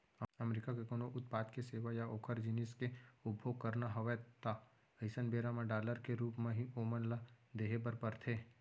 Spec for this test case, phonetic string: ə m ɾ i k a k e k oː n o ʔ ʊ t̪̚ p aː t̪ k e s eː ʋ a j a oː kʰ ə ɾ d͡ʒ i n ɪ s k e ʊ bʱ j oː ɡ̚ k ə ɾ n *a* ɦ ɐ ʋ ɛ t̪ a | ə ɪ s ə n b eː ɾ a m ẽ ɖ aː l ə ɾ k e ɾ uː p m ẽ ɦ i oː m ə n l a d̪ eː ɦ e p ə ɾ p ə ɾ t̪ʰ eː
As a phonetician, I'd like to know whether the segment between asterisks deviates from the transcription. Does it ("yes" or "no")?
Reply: no